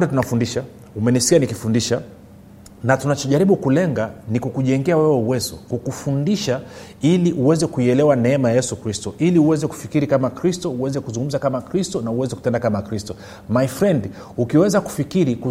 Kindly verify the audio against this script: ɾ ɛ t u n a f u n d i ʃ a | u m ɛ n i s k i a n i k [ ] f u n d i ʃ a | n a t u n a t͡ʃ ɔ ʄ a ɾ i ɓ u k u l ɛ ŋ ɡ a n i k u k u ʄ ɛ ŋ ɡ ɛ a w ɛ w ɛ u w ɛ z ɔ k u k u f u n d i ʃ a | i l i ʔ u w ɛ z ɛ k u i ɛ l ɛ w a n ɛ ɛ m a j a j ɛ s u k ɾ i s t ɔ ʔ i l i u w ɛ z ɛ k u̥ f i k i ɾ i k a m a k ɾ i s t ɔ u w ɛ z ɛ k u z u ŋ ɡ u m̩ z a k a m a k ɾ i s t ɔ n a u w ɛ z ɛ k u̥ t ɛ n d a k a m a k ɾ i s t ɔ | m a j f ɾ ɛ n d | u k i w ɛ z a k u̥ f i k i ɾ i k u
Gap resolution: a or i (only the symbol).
i